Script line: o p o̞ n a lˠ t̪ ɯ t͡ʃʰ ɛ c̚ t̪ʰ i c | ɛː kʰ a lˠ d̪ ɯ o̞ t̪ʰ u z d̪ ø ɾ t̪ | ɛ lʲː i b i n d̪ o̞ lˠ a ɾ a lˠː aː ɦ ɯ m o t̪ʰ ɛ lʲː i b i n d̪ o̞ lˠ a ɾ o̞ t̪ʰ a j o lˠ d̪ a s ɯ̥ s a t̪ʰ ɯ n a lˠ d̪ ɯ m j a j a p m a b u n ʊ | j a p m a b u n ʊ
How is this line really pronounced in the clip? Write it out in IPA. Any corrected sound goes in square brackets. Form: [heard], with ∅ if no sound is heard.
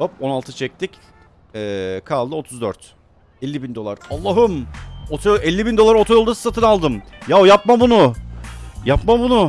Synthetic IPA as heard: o p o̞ n a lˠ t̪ ɯ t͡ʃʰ ɛ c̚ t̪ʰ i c | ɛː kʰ a lˠ d̪ ɯ o̞ t̪ʰ u z d̪ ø ɾ t̪ | ɛ lʲː i b i n d̪ o̞ lˠ a ɾ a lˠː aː ɦ ɯ m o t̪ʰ ɛ lʲː i b i n d̪ o̞ lˠ a ɾ o̞ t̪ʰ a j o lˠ d̪ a s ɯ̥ s a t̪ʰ ɯ n a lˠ d̪ ɯ m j a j a p m a b u n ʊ | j a p m a b u n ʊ